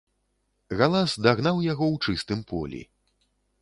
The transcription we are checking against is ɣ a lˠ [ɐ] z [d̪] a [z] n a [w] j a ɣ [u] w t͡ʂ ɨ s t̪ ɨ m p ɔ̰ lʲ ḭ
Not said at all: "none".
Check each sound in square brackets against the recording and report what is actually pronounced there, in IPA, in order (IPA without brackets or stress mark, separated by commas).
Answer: a, d̪, ɣ, w, ɔ